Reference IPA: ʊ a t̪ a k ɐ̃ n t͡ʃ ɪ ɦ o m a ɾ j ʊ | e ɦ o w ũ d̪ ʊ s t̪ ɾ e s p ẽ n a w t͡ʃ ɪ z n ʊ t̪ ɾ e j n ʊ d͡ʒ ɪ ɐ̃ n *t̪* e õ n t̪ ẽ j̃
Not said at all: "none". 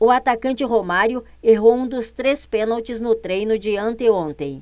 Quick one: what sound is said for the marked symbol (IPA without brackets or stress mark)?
t̪